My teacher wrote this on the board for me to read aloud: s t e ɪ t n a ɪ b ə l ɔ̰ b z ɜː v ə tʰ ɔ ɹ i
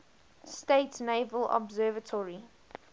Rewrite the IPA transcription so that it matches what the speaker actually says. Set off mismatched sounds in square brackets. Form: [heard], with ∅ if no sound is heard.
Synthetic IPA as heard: s t e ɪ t n [e] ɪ [v] ə l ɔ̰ b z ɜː v ə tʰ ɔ ɹ i